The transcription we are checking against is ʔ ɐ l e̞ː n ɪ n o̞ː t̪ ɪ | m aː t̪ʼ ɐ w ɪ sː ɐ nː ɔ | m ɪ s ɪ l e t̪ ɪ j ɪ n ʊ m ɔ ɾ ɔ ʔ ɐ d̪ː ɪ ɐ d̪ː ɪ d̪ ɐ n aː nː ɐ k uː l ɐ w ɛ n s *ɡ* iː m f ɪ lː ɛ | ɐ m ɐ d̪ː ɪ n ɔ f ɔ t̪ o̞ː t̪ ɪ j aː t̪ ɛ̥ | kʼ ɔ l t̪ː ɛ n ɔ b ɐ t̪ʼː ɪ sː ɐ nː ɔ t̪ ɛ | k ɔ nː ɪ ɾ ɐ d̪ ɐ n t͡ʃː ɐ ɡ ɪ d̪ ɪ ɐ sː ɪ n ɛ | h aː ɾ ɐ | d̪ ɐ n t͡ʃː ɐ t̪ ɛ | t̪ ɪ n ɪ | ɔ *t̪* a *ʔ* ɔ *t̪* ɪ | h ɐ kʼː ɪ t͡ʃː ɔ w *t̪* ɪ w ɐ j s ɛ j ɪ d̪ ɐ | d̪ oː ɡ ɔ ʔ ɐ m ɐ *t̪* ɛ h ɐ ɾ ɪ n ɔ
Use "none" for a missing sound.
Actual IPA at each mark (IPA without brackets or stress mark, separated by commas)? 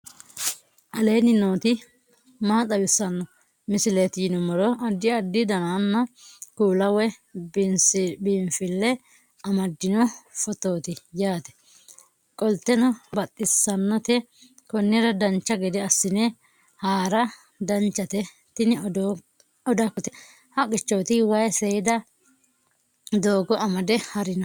b, d̪, k, t̪, t̪, d̪